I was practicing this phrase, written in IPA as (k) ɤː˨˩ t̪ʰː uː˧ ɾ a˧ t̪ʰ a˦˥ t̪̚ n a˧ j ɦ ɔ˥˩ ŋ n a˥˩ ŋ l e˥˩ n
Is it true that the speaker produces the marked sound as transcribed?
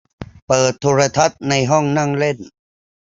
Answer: no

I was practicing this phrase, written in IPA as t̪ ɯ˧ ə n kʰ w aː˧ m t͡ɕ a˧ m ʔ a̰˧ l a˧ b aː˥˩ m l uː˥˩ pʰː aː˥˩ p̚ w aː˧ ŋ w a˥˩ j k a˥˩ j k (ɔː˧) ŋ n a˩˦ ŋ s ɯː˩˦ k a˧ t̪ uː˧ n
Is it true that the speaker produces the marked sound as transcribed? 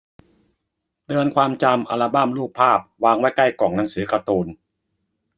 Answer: no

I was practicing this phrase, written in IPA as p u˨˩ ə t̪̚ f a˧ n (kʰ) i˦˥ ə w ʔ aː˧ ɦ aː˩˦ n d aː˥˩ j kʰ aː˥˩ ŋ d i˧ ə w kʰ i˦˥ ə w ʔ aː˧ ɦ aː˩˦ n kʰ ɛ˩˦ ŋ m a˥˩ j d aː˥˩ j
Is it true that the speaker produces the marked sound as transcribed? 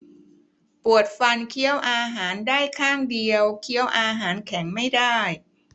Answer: yes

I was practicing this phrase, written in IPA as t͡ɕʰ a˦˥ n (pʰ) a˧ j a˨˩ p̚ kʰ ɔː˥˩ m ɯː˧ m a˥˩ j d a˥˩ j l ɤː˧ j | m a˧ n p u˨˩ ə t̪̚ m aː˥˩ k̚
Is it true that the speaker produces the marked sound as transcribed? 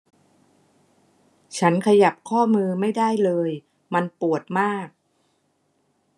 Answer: no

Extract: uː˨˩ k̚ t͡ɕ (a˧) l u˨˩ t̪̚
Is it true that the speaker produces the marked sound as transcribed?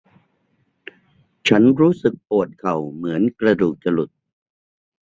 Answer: yes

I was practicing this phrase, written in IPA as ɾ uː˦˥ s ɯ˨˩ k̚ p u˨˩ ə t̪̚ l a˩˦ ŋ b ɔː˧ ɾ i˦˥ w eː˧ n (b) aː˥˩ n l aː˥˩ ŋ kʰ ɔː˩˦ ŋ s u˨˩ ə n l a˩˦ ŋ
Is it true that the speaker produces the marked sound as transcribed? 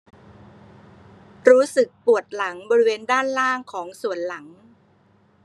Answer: no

